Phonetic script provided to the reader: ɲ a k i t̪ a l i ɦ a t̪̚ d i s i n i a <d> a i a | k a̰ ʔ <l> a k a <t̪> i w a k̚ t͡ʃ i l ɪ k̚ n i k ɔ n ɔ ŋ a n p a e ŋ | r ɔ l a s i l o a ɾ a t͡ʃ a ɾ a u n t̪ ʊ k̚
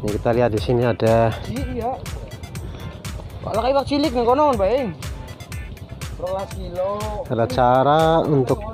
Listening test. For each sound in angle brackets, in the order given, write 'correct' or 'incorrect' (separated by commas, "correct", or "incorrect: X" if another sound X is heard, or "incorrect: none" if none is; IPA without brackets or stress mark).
correct, correct, incorrect: none